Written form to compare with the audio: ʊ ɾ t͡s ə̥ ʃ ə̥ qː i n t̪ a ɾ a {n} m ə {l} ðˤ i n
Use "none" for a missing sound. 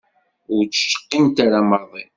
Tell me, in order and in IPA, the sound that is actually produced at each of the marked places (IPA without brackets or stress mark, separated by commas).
none, ɾ